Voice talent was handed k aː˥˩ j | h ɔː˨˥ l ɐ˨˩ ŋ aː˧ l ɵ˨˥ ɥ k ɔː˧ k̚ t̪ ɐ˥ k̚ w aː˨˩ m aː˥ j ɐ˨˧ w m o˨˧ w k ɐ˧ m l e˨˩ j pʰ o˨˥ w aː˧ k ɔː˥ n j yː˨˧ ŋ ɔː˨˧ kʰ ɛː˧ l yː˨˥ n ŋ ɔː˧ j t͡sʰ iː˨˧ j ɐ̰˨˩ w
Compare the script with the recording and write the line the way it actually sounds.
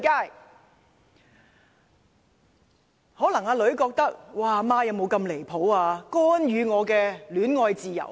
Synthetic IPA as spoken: k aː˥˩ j | h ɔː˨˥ l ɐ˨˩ ŋ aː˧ l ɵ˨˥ ɥ k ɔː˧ k̚ t̪ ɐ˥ k̚ w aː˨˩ m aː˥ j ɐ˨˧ w m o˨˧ w k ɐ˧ m l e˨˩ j pʰ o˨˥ w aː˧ k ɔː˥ n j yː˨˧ ŋ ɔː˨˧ k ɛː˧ l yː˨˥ n ŋ ɔː˧ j t͡s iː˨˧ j ɐ̰˨˩ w